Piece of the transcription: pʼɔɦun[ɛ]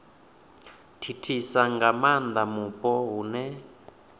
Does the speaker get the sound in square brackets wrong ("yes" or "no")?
no